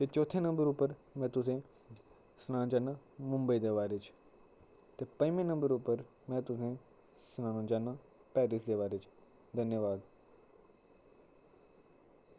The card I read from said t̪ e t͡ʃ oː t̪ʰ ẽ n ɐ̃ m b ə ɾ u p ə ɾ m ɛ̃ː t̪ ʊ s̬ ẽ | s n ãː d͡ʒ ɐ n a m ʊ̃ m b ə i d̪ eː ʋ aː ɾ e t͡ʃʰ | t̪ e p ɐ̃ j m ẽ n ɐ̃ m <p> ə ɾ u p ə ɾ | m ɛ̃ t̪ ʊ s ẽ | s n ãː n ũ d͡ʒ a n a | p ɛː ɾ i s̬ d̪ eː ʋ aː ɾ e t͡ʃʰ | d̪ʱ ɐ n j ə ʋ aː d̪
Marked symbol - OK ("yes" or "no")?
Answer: no